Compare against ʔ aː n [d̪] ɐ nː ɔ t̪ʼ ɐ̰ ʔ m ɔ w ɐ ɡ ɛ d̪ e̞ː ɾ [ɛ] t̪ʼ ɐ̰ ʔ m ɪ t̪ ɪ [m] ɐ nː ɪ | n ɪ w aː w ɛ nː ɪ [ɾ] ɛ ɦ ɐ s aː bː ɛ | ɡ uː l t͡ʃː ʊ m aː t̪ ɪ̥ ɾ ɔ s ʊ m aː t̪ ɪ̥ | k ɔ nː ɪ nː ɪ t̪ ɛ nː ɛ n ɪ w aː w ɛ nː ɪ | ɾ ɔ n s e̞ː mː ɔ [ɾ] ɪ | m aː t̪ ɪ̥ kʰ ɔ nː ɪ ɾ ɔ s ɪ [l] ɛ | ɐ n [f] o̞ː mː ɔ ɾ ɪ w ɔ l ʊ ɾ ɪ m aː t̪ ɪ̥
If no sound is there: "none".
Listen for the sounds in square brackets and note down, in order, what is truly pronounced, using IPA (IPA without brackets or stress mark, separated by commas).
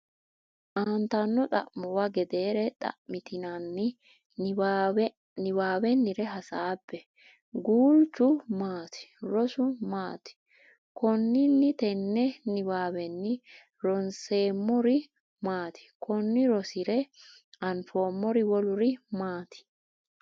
t̪, ɛ, n, ɾ, ɾ, ɾ, f